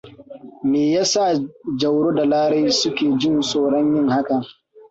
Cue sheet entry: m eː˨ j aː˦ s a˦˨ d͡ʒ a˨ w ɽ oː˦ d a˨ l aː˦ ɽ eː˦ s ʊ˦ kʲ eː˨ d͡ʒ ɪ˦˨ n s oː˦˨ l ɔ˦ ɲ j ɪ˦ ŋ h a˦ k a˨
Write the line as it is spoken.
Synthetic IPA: m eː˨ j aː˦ s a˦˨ d͡ʒ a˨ w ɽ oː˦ d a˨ l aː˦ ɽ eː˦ s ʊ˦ kʲ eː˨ d͡ʒ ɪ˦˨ n s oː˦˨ ɽ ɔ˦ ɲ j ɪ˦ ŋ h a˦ k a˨

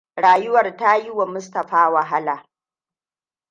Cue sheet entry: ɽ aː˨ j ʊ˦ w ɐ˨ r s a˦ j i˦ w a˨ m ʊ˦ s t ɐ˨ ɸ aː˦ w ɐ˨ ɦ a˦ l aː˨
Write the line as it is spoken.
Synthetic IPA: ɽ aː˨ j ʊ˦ w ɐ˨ r t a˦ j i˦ w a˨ m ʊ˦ s t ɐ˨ ɸ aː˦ w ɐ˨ ɦ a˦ l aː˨

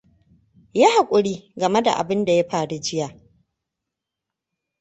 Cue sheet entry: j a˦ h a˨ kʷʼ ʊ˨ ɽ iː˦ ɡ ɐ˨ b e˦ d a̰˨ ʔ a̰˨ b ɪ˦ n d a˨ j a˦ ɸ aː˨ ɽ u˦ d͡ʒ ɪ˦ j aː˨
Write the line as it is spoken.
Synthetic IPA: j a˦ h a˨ kʷʼ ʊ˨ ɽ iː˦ ɡ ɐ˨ m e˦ d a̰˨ ʔ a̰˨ b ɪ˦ n d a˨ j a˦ ɸ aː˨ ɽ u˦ d͡ʒ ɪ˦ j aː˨

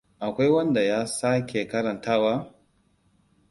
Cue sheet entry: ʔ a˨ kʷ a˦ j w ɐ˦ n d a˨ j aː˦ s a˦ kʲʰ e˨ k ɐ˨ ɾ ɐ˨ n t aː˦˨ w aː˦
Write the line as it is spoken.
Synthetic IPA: ʔ a˨ kʷ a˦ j w ɐ˦ n d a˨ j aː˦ s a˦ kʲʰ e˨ k ɐ˦ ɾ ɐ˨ n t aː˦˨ w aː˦

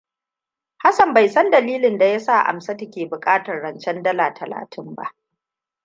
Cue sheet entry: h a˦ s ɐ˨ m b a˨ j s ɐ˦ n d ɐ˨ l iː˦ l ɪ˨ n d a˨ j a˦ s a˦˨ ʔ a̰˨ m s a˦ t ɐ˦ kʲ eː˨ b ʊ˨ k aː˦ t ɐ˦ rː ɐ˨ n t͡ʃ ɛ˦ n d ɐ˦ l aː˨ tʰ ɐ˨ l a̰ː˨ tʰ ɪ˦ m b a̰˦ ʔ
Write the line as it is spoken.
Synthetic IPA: h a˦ s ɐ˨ m b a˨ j s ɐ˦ n d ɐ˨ l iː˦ l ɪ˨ n d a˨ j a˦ s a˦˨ ʔ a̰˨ m s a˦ t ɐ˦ kʲ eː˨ b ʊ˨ kʼ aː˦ t ɐ˨ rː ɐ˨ n t͡ʃ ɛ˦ n d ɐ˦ l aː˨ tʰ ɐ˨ l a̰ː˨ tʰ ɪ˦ m b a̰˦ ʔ

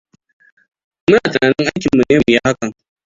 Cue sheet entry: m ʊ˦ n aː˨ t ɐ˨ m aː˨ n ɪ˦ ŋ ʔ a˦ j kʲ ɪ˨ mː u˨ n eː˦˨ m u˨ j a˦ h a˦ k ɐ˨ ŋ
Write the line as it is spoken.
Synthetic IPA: m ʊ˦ n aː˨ t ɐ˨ n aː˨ n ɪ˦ ŋ ʔ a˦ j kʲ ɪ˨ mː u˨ n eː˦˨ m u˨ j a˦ h a˦ k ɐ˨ ŋ

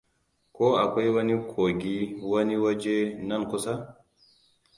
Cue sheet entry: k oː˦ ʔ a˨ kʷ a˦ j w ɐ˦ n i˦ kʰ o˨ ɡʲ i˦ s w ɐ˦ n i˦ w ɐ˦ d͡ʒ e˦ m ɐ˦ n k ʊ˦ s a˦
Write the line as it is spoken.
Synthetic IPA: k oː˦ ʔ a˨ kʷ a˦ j w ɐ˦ n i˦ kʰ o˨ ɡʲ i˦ w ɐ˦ n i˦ w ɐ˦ d͡ʒ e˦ n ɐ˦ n k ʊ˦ s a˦

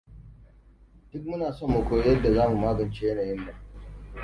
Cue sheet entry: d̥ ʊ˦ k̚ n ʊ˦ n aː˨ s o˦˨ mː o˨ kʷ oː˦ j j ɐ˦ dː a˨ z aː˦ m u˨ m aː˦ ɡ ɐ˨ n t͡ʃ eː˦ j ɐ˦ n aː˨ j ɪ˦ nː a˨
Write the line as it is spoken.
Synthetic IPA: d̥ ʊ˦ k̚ m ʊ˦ n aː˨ s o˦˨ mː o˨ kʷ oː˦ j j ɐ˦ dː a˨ z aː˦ m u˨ m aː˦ ɡ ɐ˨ n t͡ʃ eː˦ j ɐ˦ n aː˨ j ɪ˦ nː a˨

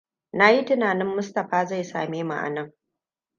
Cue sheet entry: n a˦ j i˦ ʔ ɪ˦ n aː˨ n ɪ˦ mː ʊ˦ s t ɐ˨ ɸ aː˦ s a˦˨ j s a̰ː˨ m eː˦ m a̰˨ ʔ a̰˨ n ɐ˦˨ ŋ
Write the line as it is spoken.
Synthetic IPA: n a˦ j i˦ t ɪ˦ n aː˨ n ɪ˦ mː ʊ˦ s t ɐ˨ ɸ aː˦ z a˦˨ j s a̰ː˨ m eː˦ m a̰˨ ʔ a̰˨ n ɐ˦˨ ŋ

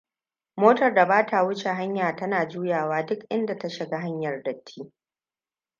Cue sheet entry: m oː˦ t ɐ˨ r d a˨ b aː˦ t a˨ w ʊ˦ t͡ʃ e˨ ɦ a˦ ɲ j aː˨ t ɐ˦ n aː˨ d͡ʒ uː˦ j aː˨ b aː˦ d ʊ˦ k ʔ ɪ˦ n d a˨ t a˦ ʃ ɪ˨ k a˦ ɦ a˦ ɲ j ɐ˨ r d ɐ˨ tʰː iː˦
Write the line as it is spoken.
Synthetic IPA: m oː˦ t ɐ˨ r d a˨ b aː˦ t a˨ w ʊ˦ t͡ʃ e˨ ɦ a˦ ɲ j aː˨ t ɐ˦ n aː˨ d͡ʒ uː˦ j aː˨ w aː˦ d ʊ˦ k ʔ ɪ˦ n d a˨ t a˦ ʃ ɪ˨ ɡ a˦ ɦ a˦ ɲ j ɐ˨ r d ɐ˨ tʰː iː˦

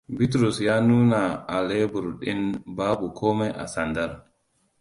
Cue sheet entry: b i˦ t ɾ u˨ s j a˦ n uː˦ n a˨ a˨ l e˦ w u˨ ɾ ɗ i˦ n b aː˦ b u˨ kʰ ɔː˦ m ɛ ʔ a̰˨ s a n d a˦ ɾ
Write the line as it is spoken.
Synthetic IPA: b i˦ t ɾ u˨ s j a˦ n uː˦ n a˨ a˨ l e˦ b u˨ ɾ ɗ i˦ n b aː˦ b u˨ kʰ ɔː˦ m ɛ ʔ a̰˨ s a n d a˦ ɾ

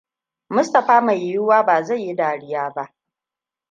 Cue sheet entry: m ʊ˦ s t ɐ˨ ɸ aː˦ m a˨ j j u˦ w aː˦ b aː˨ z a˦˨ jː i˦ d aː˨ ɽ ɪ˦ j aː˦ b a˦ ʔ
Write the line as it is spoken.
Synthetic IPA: m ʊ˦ s t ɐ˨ ɸ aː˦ m a˨ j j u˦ w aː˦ b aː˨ z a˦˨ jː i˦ d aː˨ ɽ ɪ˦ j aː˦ b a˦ ʔ

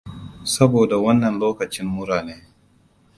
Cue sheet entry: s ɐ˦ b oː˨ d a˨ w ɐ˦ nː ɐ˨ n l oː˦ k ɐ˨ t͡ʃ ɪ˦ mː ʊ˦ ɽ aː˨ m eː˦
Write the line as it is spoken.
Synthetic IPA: s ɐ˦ b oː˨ d a˨ w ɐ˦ nː ɐ˨ n l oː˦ k ɐ˨ t͡ʃ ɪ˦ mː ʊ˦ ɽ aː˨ n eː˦

